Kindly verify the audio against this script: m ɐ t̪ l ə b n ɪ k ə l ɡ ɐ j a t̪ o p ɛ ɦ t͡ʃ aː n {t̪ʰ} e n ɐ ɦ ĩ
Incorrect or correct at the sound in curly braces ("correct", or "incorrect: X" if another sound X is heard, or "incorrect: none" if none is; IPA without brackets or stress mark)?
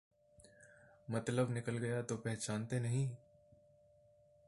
incorrect: t̪